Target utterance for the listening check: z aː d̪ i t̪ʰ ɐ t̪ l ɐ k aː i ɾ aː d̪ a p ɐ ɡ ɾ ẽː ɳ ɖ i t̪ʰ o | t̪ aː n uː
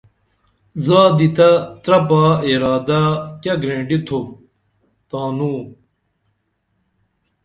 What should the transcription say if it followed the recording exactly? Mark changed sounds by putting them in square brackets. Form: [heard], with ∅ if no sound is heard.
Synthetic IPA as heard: z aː d̪ i [t̪] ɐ t̪ [ɾ] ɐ [p] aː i ɾ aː d̪ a [k] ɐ ɡ ɾ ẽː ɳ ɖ i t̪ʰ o | t̪ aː n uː